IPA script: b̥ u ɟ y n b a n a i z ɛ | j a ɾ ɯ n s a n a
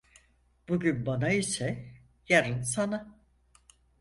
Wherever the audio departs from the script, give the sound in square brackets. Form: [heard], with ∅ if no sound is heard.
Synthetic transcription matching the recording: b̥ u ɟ y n b a n a i [s] ɛ | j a ɾ ɯ n s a n a